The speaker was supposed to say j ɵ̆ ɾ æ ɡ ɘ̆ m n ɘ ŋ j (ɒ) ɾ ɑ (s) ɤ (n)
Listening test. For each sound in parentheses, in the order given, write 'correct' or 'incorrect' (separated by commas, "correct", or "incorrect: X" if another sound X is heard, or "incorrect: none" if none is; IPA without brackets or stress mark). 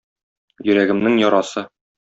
correct, correct, incorrect: none